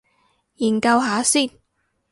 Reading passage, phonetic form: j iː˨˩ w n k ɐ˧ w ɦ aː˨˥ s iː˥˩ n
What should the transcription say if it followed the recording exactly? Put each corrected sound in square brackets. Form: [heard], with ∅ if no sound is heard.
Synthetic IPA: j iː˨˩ [∅] n k ɐ˧ w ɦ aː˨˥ s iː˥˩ n